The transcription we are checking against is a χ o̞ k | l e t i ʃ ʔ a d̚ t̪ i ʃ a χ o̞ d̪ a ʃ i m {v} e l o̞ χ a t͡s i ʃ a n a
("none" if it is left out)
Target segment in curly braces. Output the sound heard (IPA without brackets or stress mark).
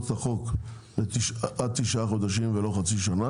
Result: v